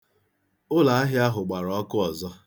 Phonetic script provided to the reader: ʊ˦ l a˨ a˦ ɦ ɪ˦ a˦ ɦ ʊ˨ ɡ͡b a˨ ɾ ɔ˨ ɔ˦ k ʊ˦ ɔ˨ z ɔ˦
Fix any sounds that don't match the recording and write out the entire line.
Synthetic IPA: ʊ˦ l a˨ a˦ ɦ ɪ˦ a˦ ɦ ʊ˨ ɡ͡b a˨ ɾ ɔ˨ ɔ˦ k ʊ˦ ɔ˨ z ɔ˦

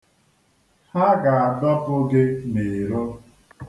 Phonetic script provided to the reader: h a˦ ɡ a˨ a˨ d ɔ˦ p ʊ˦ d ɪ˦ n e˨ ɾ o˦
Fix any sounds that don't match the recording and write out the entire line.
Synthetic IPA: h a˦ ɡ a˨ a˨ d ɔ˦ p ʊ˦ ɡ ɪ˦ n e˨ ɾ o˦

